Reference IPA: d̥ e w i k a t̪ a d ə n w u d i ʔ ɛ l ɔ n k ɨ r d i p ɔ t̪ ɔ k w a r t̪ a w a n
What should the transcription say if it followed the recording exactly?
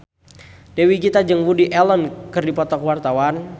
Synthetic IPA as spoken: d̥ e w i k i t̪ a d͡ʒ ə ŋ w u d i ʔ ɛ l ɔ n k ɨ r d i p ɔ t̪ ɔ k w a r t̪ a w a n